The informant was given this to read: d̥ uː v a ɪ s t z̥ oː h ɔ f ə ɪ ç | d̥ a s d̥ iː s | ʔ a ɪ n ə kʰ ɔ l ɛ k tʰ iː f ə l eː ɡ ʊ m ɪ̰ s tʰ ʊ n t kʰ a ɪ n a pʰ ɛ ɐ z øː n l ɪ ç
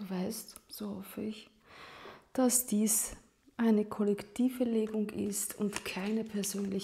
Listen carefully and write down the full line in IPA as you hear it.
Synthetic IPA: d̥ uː v a ɪ s t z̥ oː h ɔ f ə ɪ ç | d̥ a s d̥ iː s | ʔ a ɪ n ə kʰ ɔ l ɛ k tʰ iː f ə l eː ɡ ʊ ŋ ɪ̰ s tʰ ʊ n t kʰ a ɪ n ə pʰ ɛ ɐ z øː n l ɪ ç

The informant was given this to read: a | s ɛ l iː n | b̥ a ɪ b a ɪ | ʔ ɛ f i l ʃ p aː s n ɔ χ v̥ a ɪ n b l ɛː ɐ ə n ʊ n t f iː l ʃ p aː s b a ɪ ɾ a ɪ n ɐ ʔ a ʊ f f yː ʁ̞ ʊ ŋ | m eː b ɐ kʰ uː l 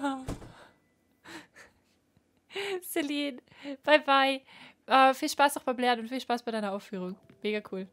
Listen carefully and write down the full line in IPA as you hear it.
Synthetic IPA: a | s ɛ l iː n | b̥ a ɪ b a ɪ | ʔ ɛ f iː l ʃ p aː s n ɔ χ b̥ a ɪ m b l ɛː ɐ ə n ʊ n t f iː l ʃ p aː s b a ɪ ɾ a ɪ n ɐ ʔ a ʊ f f yː ʁ̞ ʊ ŋ | m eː ɡ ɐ kʰ uː l

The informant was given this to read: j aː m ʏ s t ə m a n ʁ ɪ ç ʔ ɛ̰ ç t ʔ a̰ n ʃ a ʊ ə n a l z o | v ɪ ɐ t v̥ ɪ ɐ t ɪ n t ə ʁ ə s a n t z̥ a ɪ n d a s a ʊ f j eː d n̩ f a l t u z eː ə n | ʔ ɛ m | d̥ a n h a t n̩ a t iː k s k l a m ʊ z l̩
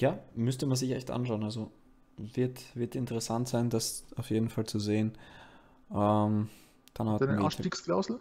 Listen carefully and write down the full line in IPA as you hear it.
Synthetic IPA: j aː m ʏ s t ə m a n z ɪ ç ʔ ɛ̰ ç t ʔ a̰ n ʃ a ʊ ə n a l z o | v ɪ ɐ t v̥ ɪ ɐ t ɪ n t ə ʁ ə s a n t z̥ a ɪ n d a s a ʊ f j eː d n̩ f a l t͡s u z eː ə n | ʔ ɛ m | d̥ a n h a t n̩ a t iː k s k l a ʊ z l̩

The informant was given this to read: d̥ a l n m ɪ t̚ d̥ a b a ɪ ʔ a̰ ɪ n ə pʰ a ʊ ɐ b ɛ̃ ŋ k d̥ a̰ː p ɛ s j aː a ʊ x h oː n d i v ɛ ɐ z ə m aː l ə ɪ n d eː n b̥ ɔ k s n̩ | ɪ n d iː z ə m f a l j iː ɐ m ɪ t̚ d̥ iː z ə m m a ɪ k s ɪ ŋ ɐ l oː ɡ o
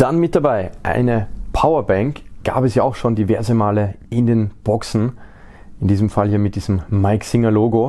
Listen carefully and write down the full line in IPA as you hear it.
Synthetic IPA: d̥ a n m ɪ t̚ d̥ a b a ɪ ʔ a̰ ɪ n ə pʰ a ʊ ɐ b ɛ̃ ŋ k ɡ̥ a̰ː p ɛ s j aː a ʊ x ʃ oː n d i v ɛ ɐ z ə m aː l ə ɪ n d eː n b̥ ɔ k s n̩ | ɪ n d iː z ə m f a l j iː ɐ m ɪ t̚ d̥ iː z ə m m a ɪ k s ɪ ŋ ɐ l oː ɡ o

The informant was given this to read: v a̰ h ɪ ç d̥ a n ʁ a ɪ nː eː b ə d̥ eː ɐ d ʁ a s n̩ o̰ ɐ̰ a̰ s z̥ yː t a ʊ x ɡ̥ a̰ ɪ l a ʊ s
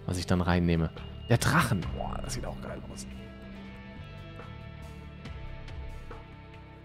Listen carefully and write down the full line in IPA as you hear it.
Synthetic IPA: v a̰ s ɪ ç d̥ a n ʁ a ɪ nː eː m ə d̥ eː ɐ d ʁ a χ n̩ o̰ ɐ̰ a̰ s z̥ iː t a ʊ x ɡ̥ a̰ ɪ l a ʊ s

